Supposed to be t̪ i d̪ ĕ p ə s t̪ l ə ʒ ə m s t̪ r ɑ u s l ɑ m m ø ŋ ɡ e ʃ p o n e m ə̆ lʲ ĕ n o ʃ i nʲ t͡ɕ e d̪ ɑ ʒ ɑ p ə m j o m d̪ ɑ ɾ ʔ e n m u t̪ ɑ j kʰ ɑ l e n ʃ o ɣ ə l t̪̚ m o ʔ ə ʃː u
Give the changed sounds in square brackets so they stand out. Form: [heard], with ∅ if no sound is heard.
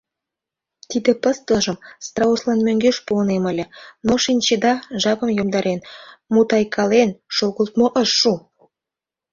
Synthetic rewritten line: t̪ i d̪ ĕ p ə s t̪ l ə ʒ ə m s t̪ r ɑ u s l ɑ [n] m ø ŋ ɡ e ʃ p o n e m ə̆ lʲ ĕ n o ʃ i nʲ t͡ɕ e d̪ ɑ ʒ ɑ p ə m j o m d̪ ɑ ɾ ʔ e n m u t̪ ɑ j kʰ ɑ l e n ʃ o ɣ ə l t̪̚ m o ʔ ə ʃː u